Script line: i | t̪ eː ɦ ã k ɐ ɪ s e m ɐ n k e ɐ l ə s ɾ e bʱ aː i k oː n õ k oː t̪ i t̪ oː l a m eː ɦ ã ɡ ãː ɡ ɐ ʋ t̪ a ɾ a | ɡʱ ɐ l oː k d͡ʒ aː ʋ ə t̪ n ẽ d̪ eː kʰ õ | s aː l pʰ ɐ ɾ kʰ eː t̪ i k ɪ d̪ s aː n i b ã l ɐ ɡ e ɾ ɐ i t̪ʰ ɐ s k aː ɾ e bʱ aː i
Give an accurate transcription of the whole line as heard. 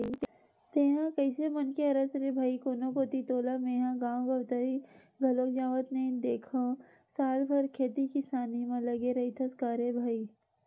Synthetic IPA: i | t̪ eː ɦ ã k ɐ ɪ s e m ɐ n k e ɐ ɾ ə s ɾ e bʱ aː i k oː n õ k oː t̪ i t̪ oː l a m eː ɦ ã ɡ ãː ɡ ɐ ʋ t̪ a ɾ i | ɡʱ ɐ l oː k d͡ʒ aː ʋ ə t̪ n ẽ d̪ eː kʰ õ | s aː l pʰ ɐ ɾ kʰ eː t̪ i k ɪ s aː n i m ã l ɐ ɡ e ɾ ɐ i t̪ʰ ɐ s k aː ɾ e bʱ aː i